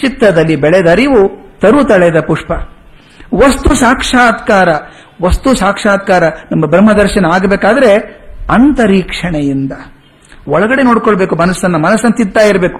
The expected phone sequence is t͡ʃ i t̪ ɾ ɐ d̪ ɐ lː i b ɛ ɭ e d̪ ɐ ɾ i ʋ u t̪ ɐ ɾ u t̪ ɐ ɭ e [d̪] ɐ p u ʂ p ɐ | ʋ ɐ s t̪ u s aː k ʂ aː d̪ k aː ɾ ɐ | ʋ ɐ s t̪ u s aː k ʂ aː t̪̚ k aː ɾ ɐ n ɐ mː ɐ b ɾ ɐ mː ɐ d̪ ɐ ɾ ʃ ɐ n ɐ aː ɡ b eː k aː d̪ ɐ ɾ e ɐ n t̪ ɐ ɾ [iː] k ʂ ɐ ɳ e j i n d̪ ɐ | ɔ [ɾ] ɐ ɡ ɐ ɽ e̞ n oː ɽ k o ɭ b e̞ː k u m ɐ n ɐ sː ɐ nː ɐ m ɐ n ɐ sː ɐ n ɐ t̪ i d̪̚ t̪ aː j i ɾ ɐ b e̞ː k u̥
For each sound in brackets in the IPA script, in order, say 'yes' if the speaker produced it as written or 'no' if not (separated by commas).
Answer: yes, yes, no